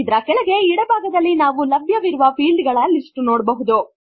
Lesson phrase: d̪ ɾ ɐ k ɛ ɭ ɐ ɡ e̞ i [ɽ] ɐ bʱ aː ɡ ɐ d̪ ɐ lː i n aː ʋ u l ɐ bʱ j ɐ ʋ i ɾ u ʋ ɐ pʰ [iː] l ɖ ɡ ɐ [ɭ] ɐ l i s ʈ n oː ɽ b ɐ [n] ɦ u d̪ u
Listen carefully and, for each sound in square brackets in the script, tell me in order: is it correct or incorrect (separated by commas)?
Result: correct, correct, correct, incorrect